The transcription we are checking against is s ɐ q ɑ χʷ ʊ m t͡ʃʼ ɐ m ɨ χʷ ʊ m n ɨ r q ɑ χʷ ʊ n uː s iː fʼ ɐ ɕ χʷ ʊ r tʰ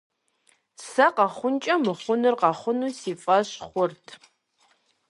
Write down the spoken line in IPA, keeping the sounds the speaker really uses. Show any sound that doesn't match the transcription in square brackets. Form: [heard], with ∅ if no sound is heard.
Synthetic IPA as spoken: s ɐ q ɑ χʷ ʊ [n] t͡ʃʼ ɐ m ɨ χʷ ʊ [∅] n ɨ r q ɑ χʷ ʊ n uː s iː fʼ ɐ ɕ χʷ ʊ r tʰ

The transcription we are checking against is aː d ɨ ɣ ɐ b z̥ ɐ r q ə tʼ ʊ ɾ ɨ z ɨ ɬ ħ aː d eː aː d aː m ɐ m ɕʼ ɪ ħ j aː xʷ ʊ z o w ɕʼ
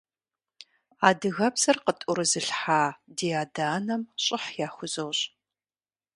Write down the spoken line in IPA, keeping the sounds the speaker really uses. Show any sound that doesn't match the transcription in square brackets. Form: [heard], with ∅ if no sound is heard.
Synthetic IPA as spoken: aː d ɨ ɣ ɐ b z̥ ɐ r q ə tʼ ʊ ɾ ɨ z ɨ ɬ ħ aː d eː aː d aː [n] ɐ m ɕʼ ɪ ħ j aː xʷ ʊ z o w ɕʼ

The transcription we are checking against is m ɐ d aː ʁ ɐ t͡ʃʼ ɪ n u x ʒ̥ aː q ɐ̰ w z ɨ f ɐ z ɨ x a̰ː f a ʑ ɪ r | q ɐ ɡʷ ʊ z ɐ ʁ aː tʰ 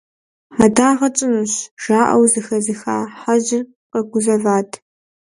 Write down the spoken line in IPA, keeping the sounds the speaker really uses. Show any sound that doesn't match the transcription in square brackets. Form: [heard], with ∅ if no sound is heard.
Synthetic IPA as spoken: m ɐ d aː ʁ ɐ t͡ʃʼ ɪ n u [ɕ] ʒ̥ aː [ʔ] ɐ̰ w z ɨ [x] ɐ z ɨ x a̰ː [ħ] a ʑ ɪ r | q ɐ ɡʷ ʊ z ɐ [v] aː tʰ

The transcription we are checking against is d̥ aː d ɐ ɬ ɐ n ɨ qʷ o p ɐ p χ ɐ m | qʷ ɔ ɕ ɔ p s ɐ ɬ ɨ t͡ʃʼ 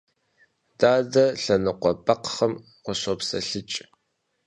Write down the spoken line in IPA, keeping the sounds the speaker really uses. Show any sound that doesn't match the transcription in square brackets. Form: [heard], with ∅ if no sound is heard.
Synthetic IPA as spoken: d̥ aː d ɐ ɬ ɐ n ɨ qʷ [ɔ] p ɐ [q] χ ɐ m | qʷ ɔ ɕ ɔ p s ɐ ɬ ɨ t͡ʃʼ

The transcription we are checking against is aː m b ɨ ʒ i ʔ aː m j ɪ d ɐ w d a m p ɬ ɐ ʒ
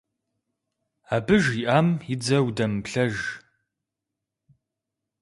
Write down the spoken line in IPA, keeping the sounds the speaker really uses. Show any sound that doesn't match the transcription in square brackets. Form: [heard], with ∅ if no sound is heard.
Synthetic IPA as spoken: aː [∅] b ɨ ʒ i ʔ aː m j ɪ [d͡z] ɐ w d [ɐ] m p ɬ ɐ ʒ

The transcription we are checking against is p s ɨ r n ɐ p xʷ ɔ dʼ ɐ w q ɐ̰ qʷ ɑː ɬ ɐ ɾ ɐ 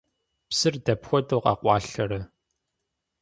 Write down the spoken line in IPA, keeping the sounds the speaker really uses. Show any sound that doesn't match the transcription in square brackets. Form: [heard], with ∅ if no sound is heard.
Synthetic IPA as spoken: p s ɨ r [d] ɐ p xʷ ɔ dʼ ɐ w q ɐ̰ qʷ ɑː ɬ ɐ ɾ ɐ

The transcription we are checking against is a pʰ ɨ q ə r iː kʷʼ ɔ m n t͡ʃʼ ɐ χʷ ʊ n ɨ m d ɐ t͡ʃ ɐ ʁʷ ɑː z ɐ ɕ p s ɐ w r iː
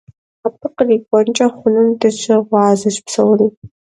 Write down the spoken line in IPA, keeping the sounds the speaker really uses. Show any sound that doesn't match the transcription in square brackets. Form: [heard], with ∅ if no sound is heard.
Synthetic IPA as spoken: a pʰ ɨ q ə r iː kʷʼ ɔ [∅] n t͡ʃʼ ɐ χʷ ʊ n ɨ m d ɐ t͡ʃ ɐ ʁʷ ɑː z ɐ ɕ p s ɐ w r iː

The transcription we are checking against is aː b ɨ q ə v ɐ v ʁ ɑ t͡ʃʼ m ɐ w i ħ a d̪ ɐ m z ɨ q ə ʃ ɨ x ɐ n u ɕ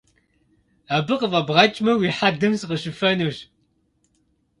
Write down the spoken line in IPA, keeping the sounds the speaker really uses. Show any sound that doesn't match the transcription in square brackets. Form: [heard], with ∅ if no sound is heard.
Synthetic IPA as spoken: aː b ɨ q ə v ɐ [b] ʁ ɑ t͡ʃʼ m ɐ w i ħ a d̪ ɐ m [s] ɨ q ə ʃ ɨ [f] ɐ n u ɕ

